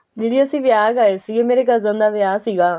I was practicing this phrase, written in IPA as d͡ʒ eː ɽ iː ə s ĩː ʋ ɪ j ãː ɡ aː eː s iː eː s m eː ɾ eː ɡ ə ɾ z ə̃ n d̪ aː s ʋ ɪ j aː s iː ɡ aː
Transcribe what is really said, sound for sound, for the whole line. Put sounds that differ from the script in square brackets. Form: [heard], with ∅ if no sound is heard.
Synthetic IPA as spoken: d͡ʒ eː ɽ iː ə s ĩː ʋ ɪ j [aː] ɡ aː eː s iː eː [∅] m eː ɾ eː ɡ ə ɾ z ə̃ n d̪ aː [∅] ʋ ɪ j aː s iː ɡ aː